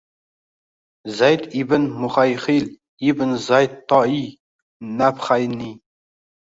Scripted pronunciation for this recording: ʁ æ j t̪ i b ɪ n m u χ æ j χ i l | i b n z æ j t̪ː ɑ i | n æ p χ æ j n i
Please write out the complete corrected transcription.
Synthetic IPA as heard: z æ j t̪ i b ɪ n m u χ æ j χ i l | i b n z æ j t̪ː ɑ i | n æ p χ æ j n i

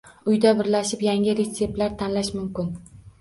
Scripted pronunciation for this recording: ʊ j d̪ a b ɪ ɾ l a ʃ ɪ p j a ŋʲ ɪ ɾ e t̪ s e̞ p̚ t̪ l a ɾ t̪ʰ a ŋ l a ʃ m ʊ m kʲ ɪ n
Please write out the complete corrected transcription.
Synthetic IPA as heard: ʊ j d̪ a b ɪ ɾ l a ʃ ɪ p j a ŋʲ ɪ ɾ e t̪ s e̞ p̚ t̪ l a ɾ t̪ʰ a n l a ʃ m ʊ m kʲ ɪ n

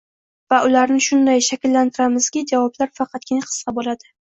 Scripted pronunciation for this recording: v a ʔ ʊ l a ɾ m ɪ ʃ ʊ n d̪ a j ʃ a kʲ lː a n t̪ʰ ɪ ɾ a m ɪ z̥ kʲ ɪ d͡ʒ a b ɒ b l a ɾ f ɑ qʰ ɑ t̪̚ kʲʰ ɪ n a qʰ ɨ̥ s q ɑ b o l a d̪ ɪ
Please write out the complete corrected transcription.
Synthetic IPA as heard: v a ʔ ʊ l a ɾ n ɪ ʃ ʊ n d̪ a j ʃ a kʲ lː a n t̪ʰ ɪ ɾ a m ɪ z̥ kʲ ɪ d͡ʒ a v ɒ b l a ɾ f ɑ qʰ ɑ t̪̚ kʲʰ ɪ n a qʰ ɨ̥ s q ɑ b o l a d̪ ɪ

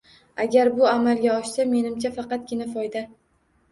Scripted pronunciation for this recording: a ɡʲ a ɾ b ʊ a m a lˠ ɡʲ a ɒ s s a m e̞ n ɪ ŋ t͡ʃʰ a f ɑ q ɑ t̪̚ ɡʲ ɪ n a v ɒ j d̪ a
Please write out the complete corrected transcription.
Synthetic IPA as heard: a ɡʲ a ɾ b ʊ a m a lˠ ɡʲ a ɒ ʃ s a m e̞ n ɪ m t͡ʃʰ a f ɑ q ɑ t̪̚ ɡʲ ɪ n a f ɒ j d̪ a

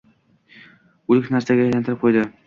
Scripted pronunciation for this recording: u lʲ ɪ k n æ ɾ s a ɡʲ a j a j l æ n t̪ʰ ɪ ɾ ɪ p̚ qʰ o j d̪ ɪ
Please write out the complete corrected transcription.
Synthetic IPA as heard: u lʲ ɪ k n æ ɾ s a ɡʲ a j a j l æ n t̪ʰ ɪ ɾ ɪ p̚ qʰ o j d̪ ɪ

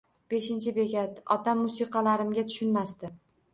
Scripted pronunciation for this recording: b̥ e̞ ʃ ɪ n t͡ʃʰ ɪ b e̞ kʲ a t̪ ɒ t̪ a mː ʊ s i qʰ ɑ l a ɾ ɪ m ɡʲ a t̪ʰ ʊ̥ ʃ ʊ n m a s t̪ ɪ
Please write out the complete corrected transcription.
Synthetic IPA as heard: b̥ e̞ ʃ ɪ n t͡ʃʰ ɪ b e̞ ɡʲ a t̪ ɒ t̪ a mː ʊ s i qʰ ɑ l a ɾ ɪ m ɡʲ a t̪ʰ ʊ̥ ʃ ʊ n m a s t̪ ɪ

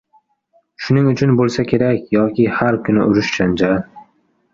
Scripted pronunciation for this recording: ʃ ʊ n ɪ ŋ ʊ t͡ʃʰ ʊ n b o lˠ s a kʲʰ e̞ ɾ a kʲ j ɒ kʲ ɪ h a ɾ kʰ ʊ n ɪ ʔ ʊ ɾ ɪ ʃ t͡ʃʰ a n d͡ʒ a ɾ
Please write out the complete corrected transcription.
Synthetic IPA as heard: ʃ ʊ n ɪ ŋ ʊ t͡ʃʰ ʊ n b o lˠ s a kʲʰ e̞ ɾ a kʲ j ɒ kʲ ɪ h a ɾ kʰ ʊ n ɪ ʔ ʊ ɾ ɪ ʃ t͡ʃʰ a n d͡ʒ a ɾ

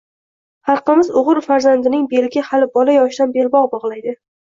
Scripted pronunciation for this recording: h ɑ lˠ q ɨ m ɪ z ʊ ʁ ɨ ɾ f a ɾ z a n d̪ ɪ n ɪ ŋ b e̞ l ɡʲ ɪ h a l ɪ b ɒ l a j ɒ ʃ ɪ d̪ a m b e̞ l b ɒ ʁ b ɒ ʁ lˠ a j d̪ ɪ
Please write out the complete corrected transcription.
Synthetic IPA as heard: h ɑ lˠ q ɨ m ɪ z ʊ ʁ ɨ ɾ f a ɾ z a n d̪ ɪ n ɪ ŋ b e̞ l ɡʲ ɪ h a l ɪ b ɒ l a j ɒ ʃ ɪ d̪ a n b e̞ l b ɒ ʁ b ɒ ʁ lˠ a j d̪ ɪ

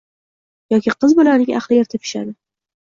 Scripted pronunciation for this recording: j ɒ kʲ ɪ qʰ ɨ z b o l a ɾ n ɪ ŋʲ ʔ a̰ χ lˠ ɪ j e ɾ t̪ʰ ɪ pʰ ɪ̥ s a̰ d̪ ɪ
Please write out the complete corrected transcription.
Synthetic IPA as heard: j ɒ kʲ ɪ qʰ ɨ z b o l a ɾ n ɪ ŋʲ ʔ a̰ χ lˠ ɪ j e ɾ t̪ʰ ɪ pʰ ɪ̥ ʃ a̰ d̪ ɪ

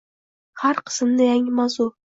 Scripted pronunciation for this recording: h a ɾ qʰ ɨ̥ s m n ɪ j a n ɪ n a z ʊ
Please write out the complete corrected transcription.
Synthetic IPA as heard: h a ɾ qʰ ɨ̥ s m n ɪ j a ŋ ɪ m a z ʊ

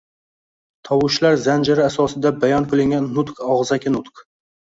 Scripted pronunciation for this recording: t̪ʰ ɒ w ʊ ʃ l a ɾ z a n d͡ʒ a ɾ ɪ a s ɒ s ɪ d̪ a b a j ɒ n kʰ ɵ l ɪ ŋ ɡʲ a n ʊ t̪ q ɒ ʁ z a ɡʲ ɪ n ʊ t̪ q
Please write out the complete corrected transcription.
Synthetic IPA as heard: t̪ʰ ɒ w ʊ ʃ l a ɾ z a n d͡ʒ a ɾ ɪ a s ɒ s ɪ d̪ a b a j ɒ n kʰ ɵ l ɪ ŋ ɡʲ a nː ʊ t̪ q ɒ ʁ z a kʲ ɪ n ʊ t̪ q

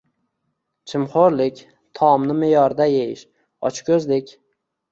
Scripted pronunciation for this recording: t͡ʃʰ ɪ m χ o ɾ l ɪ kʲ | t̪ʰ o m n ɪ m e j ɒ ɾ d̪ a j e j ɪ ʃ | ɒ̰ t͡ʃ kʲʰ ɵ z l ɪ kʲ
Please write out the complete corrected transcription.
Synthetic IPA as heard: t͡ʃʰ ɪ m χ o ɾ l ɪ kʲ | t̪ʰ ɒ m n ɪ m e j ɒ ɾ d̪ a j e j ɪ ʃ | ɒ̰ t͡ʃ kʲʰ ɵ z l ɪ kʲ

